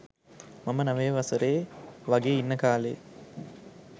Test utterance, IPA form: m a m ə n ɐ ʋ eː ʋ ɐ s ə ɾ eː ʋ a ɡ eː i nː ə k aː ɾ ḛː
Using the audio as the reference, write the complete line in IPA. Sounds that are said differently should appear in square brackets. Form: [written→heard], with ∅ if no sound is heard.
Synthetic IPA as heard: m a m ə n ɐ ʋ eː ʋ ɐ s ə ɾ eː ʋ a ɡ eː i nː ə k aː [ɾ→l] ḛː